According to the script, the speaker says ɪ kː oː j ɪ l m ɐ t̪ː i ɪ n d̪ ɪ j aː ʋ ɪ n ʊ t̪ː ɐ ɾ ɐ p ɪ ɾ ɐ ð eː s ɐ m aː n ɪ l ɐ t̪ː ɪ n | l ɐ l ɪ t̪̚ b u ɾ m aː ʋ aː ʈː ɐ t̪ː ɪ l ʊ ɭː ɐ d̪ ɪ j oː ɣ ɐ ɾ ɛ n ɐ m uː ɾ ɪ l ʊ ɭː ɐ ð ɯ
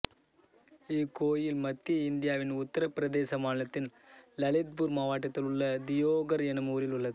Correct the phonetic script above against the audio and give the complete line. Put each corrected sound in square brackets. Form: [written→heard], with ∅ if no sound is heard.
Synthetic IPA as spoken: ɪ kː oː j ɪ l m ɐ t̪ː i ɪ n d̪ ɪ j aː ʋ ɪ n ʊ t̪ː ɐ ɾ ɐ p ɪ ɾ ɐ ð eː s ɐ m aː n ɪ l ɐ t̪ː ɪ n | l ɐ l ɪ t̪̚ b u ɾ m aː ʋ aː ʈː ɐ t̪ː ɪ l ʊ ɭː ɐ d̪ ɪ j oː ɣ ɐ ɾ ɛ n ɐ m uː ɾ ɪ l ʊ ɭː ɐ ð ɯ